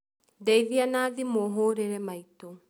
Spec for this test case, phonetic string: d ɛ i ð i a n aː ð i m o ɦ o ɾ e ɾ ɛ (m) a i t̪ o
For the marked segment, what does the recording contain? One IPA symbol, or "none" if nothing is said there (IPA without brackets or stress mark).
m